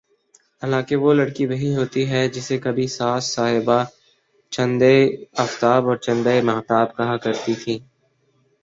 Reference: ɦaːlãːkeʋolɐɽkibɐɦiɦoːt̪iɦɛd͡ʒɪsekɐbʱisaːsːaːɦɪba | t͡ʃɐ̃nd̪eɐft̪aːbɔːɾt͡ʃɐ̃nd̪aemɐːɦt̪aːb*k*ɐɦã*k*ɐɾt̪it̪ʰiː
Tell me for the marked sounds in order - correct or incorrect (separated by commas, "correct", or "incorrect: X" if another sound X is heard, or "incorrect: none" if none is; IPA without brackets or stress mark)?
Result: correct, correct